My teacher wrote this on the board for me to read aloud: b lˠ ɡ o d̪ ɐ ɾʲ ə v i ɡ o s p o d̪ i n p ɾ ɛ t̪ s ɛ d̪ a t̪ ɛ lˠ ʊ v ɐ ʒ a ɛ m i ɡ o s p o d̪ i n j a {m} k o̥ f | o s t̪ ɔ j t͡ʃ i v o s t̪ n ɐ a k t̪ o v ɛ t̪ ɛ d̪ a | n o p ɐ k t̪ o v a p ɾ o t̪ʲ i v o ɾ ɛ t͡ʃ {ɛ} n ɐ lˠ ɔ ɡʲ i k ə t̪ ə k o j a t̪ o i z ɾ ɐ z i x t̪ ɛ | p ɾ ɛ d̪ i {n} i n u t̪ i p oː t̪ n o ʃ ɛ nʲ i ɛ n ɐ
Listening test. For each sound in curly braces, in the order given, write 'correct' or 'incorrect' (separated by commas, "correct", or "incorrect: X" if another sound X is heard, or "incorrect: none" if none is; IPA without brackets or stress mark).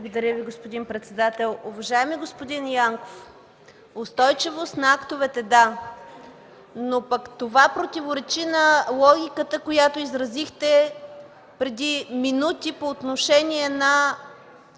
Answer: incorrect: ŋ, incorrect: i, incorrect: m